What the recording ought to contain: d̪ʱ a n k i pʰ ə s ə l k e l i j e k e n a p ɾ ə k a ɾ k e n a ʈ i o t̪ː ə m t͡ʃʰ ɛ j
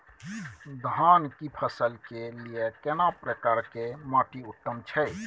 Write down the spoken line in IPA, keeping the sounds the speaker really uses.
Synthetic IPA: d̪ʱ a n k i pʰ ə s ə l k e l i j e k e n a p ɾ ə k a ɾ k e m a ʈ i u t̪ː ə m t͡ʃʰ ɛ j

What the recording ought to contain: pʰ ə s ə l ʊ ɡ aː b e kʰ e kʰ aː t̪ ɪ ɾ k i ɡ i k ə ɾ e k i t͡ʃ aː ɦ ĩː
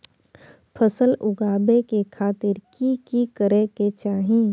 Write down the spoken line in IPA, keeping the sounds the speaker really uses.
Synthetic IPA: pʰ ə s ə l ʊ ɡ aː b e k e kʰ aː t̪ ɪ ɾ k i k i k ə ɾ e k e t͡ʃ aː ɦ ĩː

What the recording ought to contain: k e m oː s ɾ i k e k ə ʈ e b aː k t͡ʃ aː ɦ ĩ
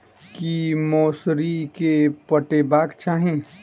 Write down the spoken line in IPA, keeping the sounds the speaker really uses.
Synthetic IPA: k i m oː s ɾ i k e p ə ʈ e b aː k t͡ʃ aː ɦ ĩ

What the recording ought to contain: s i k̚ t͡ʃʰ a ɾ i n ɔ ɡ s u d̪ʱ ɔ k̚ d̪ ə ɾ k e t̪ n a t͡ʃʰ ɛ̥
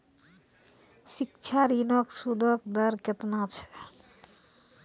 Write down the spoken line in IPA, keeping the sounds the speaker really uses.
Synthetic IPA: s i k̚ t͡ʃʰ a ɾ i n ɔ k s u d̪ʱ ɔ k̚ d̪ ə ɾ k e t̪ n a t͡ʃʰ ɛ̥

